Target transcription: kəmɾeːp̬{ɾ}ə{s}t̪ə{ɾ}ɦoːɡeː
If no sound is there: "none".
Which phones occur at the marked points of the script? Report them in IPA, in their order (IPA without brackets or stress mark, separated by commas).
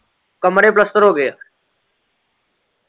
l, s, ɾ